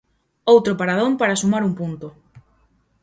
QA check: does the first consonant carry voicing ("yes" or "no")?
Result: yes